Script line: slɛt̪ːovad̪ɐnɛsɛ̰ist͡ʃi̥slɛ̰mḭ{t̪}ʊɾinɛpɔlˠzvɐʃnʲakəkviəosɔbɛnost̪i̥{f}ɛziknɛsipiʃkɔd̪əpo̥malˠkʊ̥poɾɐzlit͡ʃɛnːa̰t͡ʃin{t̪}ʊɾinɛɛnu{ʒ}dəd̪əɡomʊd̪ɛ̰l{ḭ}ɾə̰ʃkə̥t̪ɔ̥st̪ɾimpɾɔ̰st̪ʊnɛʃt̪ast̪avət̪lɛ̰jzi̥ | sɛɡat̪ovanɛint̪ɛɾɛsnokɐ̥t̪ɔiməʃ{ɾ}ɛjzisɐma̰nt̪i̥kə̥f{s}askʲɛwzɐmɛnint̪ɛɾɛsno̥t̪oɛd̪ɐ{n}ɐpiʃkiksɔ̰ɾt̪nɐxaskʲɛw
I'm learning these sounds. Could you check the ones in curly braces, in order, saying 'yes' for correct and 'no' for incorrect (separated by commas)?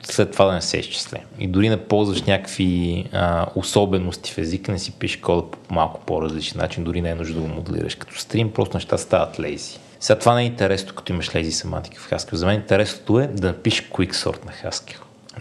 no, yes, no, yes, yes, no, no, yes